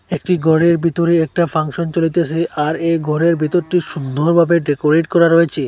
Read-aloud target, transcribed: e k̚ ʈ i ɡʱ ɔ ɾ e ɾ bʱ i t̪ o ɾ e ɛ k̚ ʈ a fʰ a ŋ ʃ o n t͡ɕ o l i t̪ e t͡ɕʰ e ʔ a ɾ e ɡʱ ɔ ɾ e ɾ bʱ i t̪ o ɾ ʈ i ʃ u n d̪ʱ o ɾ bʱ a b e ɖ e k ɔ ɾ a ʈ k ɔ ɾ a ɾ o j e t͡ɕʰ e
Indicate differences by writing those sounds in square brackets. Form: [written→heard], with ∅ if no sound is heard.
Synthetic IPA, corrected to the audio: e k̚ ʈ i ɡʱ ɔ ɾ e ɾ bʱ i t̪ o ɾ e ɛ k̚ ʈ a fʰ a ŋ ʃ o n t͡ɕ o l i t̪ e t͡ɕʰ e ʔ a ɾ e ɡʱ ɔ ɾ e ɾ bʱ i t̪ o ɾ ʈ i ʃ u n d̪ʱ o ɾ bʱ a b e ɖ e k [ɔ→o] ɾ [a→e] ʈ k ɔ ɾ a ɾ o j e t͡ɕʰ e